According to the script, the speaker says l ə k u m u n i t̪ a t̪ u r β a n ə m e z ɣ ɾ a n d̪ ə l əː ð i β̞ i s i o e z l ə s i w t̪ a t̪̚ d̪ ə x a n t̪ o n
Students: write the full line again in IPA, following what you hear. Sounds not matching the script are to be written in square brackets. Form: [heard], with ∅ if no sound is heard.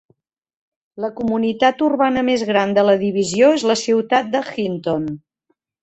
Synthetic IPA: l ə k u m u n i t̪ a t̪ u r β a n ə m e z ɣ ɾ a n d̪ ə l [ə] ð i β̞ i [z] i o e z l ə s i w t̪ a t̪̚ d̪ ə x [i] n t̪ o n